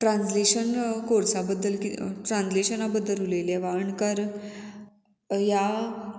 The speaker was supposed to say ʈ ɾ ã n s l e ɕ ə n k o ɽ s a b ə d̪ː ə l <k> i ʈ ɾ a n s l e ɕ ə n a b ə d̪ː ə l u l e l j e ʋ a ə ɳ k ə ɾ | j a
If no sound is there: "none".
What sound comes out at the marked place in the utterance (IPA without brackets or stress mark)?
k